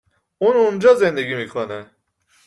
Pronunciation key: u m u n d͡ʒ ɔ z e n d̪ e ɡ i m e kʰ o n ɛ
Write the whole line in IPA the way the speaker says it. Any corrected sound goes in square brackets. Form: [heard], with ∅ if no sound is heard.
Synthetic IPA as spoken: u [n] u n d͡ʒ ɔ z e n d̪ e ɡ i m [i] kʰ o n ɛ